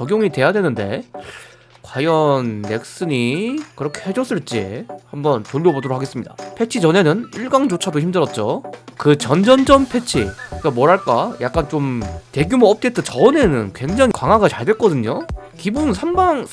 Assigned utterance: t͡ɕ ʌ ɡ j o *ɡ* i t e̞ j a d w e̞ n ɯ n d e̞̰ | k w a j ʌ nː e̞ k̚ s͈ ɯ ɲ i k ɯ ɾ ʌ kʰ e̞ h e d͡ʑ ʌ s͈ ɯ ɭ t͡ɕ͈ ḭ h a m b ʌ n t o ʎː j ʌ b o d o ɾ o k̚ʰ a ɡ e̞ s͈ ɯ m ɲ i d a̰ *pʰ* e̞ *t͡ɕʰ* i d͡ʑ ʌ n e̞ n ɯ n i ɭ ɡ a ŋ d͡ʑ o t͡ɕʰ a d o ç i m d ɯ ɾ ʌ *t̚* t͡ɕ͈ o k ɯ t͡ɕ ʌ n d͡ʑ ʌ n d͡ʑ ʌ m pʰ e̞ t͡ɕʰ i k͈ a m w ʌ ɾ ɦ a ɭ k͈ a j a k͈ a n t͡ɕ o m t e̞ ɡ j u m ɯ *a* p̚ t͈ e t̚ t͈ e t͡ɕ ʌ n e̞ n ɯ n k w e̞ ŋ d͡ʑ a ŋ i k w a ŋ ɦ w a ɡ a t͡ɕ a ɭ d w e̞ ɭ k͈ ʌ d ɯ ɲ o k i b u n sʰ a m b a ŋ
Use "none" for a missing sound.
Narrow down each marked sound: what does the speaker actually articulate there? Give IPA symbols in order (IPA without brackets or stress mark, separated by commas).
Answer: ŋ, pʰ, t͡ɕʰ, t̚, ʌ